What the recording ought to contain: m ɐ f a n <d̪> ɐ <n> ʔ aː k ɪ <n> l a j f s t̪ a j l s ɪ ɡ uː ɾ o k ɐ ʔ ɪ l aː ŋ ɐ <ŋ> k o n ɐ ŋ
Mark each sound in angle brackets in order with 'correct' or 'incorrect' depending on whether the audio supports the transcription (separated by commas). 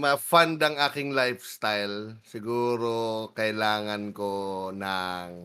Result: correct, incorrect, incorrect, incorrect